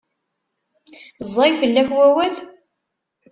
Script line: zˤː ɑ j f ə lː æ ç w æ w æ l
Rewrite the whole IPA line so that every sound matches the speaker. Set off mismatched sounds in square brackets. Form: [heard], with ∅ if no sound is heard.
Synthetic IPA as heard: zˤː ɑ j f ə lː æ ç w æ w æ l